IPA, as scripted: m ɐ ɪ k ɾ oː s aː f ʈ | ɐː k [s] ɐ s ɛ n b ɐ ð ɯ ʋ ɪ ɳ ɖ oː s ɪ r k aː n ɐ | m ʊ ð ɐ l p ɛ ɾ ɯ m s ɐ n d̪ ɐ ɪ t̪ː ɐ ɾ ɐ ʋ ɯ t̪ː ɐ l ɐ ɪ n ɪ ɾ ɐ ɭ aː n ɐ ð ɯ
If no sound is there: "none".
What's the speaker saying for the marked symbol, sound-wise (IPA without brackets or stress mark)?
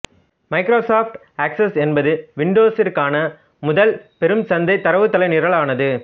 s